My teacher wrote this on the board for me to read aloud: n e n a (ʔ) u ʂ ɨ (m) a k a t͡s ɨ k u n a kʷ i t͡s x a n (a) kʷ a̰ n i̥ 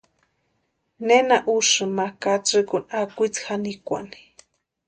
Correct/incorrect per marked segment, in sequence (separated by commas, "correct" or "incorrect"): correct, correct, incorrect